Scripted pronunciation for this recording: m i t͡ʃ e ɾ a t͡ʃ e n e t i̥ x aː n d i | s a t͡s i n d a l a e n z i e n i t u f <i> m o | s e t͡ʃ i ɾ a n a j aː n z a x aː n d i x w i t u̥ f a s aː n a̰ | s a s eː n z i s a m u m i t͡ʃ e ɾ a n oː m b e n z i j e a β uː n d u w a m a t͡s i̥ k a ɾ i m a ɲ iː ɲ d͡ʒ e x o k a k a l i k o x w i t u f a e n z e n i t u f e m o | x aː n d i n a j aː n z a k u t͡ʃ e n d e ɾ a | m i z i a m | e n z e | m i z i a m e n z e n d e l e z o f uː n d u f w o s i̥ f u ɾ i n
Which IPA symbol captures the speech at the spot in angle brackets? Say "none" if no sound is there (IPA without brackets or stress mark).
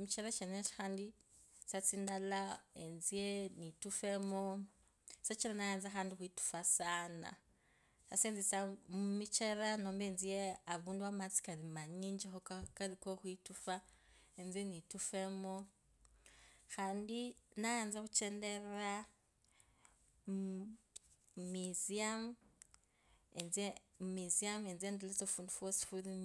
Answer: e